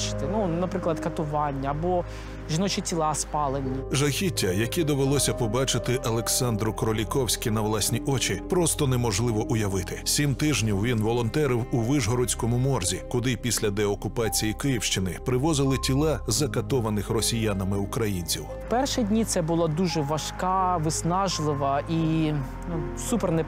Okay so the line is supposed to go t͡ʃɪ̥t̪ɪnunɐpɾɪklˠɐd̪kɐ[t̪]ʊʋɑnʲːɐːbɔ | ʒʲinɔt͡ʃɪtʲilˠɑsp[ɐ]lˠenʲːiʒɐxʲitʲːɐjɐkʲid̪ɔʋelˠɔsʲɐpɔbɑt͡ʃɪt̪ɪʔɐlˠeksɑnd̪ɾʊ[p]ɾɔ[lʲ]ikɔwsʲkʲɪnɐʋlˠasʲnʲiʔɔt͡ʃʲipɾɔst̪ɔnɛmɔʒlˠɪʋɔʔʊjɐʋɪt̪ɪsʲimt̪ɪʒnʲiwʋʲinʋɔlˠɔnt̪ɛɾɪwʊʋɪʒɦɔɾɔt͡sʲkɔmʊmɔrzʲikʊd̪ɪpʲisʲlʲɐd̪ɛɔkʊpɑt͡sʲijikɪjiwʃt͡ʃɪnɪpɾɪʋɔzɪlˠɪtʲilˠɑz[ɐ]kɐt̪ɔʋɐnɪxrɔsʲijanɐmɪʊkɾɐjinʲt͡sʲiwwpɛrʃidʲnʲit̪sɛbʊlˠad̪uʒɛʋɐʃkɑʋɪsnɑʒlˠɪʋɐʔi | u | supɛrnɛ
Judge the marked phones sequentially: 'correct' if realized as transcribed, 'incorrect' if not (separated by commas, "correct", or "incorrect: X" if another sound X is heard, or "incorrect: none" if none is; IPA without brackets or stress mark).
correct, incorrect: ɑ, incorrect: k, correct, correct